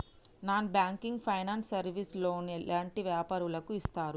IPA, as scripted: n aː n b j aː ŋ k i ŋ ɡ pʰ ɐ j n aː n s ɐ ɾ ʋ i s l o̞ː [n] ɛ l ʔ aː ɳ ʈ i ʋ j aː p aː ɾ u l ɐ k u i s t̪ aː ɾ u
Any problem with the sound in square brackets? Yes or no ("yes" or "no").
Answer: no